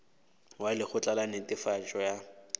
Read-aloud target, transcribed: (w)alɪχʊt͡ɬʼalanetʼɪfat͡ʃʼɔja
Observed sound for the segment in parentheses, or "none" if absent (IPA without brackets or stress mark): w